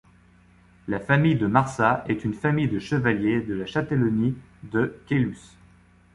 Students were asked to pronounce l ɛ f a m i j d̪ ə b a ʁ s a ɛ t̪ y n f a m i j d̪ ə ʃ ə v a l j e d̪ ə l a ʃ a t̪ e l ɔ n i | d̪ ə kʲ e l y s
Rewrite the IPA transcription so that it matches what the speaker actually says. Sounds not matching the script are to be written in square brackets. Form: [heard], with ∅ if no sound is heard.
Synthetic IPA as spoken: l [a] f a m i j d̪ ə [m] a ʁ s a ɛ t̪ y n f a m i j d̪ ə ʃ ə v a l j e d̪ ə l a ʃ a t̪ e l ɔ n i | d̪ ə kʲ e l y s